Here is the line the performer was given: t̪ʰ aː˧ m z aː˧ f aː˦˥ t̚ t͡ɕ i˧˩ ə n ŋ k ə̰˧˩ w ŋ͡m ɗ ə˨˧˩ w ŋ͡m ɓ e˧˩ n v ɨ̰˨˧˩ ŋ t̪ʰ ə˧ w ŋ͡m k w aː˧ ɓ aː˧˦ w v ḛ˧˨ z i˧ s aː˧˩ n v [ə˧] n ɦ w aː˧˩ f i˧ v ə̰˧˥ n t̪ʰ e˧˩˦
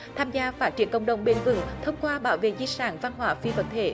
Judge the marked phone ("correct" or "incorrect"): incorrect